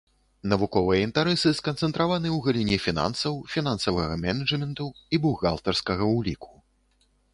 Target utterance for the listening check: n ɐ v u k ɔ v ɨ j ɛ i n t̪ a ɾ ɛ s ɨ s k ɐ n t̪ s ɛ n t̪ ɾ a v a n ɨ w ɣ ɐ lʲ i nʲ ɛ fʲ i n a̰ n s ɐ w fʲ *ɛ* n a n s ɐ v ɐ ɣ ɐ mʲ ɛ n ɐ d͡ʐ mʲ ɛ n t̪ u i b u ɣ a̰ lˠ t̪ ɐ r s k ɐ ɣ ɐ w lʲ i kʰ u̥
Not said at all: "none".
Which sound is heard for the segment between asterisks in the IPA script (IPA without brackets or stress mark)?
i